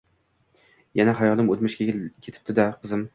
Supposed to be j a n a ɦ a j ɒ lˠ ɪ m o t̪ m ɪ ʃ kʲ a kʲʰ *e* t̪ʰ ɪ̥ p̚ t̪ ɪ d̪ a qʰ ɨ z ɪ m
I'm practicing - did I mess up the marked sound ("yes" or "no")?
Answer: no